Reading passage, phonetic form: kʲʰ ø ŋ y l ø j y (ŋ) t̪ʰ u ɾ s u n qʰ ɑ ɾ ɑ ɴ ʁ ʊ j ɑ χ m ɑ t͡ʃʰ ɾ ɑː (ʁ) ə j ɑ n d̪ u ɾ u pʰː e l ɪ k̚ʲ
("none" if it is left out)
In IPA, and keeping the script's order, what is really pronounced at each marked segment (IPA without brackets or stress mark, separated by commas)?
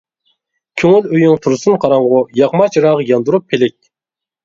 ŋ, ʁ